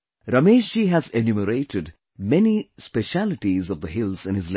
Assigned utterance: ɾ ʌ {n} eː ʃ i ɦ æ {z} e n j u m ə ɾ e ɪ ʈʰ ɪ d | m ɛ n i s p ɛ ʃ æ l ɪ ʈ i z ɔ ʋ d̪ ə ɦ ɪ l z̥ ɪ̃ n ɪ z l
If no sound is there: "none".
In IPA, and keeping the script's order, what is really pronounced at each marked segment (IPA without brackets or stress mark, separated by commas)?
m, z